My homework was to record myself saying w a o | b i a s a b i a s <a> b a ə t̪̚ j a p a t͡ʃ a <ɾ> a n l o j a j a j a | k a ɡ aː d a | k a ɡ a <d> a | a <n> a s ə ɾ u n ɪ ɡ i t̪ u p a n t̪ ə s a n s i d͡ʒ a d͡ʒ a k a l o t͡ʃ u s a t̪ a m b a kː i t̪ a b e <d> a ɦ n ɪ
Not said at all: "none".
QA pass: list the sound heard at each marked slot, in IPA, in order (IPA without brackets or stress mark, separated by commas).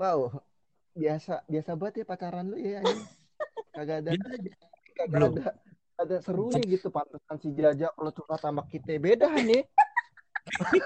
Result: a, ɾ, d, d, d